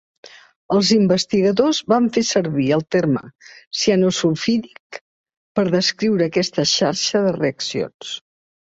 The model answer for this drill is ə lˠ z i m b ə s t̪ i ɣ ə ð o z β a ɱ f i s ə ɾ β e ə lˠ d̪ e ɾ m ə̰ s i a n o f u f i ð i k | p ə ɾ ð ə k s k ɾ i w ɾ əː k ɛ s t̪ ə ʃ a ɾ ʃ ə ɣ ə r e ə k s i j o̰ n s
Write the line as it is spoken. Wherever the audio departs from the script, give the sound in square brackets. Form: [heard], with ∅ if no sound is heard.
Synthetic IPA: ə lˠ z i m b ə s t̪ i ɣ ə ð o z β a ɱ f [e] s ə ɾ β [i] ə lˠ [t̪] e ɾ m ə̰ s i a n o [s] u f i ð i k | p ə ɾ ð ə [∅] s k ɾ i w ɾ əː k ɛ s t̪ ə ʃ a ɾ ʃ ə [ð] ə r e ə k s i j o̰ n s